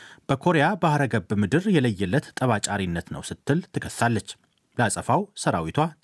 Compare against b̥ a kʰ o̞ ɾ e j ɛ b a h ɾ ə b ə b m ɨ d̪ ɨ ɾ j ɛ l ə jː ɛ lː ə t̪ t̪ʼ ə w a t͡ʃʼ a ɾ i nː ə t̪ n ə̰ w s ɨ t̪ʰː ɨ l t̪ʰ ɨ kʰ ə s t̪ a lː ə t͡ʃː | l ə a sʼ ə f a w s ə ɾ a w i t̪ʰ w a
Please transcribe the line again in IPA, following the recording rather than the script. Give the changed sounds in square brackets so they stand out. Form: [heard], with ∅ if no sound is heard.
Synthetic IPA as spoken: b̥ [ə] kʰ o̞ ɾ e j [a] b a h ɾ ə [ɡ] ə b m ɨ d̪ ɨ ɾ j ɛ l ə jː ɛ lː ə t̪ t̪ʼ ə [β] a t͡ʃʼ a ɾ i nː ə t̪ n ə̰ w s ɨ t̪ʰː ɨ l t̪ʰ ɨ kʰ ə s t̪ a lː ə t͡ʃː | l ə a sʼ ə f a w s ə ɾ a w i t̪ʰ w a